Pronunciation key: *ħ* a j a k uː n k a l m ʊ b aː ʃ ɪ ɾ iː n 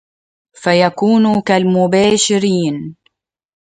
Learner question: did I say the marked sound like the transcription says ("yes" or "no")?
no